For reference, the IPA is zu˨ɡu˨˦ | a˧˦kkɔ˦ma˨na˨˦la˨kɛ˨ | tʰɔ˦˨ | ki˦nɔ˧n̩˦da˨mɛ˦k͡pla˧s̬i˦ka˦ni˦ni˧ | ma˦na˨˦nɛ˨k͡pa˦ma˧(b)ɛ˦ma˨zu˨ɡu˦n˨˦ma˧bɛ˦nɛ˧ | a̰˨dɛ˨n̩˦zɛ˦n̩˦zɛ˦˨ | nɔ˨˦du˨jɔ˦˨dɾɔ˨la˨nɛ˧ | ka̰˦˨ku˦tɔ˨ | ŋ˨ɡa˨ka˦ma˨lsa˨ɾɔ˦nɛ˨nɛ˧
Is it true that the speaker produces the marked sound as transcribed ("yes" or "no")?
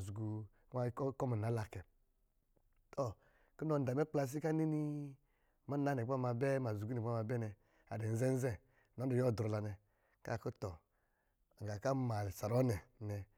yes